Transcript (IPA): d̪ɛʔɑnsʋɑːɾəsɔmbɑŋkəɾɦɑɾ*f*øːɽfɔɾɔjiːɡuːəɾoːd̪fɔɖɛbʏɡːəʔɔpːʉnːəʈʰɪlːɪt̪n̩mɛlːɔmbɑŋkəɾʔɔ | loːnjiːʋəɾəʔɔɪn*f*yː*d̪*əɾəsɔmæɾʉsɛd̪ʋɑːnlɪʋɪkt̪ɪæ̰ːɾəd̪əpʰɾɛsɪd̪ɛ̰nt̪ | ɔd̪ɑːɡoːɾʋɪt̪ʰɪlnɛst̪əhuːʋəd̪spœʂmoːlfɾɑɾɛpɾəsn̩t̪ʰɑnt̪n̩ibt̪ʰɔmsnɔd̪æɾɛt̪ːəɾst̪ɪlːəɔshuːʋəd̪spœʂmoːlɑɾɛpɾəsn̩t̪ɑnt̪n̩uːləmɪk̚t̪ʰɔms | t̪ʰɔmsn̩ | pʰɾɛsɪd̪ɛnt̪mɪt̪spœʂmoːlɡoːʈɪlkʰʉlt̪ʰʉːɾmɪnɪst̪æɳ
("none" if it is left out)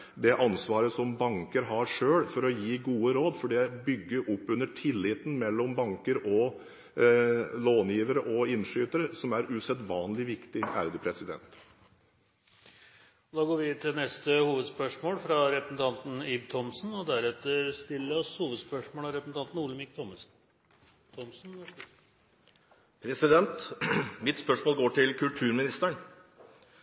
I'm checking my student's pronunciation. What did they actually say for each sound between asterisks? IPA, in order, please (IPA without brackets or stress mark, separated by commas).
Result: ʂ, ʂ, t̪